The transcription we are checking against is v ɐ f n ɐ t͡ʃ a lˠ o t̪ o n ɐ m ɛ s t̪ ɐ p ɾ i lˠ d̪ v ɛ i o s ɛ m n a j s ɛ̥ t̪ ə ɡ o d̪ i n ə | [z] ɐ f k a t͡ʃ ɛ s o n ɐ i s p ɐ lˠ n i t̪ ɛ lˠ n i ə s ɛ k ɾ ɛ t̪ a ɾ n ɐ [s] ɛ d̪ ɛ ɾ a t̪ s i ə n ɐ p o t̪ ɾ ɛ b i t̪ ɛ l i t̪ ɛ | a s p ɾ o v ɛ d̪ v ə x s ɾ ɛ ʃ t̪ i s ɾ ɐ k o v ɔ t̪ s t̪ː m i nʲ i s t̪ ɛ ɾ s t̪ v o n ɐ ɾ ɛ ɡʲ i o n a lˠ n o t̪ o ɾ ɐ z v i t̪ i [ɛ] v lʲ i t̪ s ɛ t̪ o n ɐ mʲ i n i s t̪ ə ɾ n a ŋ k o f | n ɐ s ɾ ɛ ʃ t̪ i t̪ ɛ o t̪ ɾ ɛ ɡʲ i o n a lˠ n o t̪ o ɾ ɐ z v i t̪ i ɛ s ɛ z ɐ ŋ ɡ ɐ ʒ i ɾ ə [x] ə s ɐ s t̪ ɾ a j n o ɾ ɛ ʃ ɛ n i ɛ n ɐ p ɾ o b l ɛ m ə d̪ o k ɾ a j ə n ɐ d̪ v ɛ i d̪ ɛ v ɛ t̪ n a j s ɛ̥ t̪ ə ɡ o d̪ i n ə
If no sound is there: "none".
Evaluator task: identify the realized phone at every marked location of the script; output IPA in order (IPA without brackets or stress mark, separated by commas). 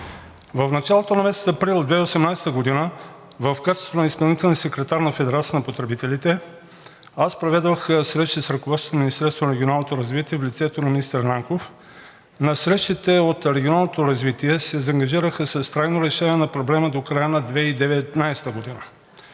v, f, ɛ, x